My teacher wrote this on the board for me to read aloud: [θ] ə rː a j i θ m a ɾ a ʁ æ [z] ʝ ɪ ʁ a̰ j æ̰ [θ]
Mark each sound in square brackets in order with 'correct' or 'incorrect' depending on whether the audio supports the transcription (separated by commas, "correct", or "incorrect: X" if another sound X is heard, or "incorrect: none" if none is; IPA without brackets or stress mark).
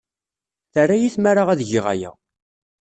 correct, incorrect: ð, incorrect: none